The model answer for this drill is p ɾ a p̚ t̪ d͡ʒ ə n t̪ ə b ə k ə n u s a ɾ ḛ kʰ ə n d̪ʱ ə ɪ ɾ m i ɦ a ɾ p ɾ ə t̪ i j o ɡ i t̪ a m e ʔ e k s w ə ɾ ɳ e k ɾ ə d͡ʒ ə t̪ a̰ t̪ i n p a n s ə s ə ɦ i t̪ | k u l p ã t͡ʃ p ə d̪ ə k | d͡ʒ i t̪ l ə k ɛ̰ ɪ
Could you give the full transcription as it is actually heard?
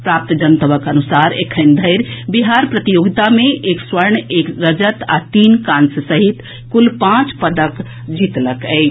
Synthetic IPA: p ɾ a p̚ t̪ d͡ʒ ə n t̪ ə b ə k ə n u s a ɾ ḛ kʰ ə n d̪ʱ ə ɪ ɾ b i ɦ a ɾ p ɾ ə t̪ i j o ɡ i t̪ a m e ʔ e k s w ə ɾ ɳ e k ɾ ə d͡ʒ ə t̪ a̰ t̪ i n k a n s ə s ə ɦ i t̪ | k u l p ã t͡ʃ p ə d̪ ə k | d͡ʒ i t̪ l ə k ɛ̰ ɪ